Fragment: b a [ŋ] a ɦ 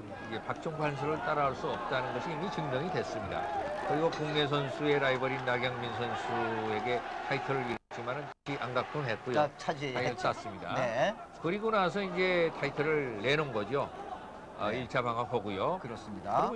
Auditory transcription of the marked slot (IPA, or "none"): ŋ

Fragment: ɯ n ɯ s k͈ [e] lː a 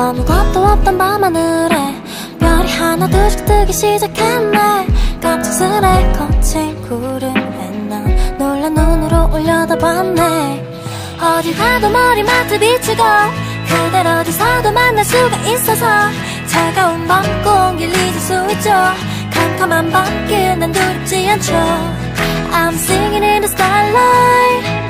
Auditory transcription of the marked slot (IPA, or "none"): a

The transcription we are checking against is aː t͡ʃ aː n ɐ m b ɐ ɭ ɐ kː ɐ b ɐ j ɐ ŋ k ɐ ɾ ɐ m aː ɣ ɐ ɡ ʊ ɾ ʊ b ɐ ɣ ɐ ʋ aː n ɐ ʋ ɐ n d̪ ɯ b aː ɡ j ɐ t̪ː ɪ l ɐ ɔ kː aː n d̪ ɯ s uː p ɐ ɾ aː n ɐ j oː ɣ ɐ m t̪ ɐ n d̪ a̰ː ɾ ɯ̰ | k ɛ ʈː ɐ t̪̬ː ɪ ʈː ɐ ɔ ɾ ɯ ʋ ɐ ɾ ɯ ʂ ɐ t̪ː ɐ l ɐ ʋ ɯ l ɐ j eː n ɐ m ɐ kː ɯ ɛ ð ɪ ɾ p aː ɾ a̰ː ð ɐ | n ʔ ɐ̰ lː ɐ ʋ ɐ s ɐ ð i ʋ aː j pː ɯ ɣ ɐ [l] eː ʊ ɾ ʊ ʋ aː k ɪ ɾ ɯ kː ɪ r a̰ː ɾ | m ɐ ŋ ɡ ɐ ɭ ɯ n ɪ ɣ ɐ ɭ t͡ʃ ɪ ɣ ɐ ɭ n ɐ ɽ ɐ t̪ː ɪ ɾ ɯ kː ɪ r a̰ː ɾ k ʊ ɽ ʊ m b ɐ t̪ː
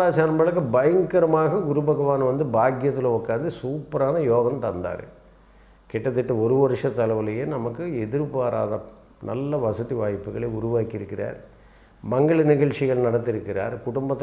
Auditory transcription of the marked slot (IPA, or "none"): ɭ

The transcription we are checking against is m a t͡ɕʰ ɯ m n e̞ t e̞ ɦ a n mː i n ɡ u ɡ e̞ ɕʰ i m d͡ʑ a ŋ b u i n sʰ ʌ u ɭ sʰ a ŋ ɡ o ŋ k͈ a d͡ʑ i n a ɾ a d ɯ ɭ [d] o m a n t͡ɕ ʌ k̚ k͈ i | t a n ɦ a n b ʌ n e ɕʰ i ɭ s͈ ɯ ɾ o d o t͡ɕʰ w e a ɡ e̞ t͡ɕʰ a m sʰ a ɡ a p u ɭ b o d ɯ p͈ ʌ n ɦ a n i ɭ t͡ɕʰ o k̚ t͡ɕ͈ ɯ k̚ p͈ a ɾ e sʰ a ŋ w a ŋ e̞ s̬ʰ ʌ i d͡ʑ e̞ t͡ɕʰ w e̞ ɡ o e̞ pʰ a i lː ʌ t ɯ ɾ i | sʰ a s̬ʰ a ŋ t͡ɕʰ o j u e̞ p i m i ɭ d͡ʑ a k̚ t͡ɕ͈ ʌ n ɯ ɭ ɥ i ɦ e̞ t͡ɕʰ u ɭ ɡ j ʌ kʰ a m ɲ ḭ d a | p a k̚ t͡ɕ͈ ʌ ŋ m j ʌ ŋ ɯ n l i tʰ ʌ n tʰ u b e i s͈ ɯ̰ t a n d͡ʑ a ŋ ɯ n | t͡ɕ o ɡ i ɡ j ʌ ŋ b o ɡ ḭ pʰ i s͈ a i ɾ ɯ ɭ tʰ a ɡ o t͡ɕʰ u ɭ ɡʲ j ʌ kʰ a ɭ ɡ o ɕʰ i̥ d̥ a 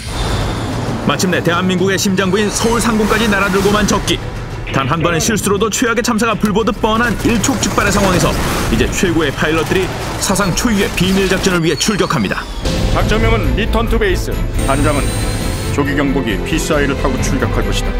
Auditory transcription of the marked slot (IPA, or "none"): ɡ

